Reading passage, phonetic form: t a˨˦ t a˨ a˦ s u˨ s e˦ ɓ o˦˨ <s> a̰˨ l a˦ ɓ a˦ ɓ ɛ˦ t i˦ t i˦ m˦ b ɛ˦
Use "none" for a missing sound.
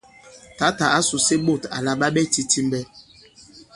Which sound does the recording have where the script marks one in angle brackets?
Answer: t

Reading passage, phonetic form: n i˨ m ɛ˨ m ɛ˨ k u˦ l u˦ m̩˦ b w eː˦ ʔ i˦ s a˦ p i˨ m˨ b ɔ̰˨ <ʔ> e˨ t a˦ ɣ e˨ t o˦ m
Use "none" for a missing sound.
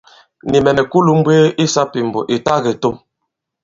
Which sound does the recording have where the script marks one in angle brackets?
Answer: ʔ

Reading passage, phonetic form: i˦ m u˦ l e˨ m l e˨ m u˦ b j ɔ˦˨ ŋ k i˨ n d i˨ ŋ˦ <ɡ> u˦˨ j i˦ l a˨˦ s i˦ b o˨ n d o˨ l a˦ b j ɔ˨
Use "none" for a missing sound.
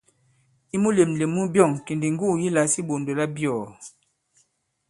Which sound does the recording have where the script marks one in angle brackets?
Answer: ɡ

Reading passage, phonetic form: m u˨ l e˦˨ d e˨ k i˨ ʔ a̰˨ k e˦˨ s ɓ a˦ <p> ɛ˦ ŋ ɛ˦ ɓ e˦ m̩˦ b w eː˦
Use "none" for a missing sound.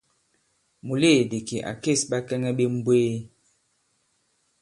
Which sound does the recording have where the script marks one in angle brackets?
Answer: k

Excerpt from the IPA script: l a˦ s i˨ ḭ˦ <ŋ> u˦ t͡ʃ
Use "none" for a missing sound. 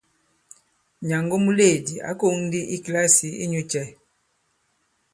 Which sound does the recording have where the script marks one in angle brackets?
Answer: ɲ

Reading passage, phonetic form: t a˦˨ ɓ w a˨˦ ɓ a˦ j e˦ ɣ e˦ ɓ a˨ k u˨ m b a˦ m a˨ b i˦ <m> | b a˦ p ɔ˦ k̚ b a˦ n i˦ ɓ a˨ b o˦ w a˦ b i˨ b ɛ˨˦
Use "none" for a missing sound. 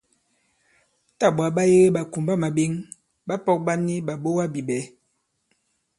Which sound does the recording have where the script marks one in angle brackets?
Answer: ŋ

